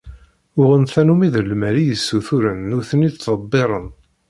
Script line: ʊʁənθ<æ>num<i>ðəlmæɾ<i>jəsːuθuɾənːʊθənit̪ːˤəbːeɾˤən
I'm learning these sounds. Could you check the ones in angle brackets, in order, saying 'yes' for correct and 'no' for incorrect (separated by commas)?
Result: yes, yes, yes